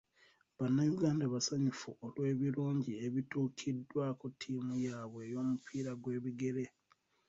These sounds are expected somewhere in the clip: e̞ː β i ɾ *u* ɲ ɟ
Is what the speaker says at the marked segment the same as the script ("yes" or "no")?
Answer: no